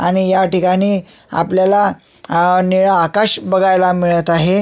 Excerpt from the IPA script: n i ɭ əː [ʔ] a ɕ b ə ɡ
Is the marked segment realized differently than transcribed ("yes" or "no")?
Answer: yes